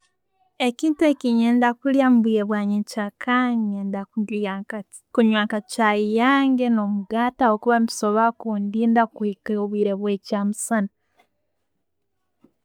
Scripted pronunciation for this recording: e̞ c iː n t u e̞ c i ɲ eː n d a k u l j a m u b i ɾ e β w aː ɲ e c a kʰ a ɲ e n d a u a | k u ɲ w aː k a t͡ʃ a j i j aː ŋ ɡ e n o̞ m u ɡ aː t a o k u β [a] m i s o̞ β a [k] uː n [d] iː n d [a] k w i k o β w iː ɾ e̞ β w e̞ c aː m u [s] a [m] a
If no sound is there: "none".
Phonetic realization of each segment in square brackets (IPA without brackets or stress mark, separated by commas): a, k, d, a, s, n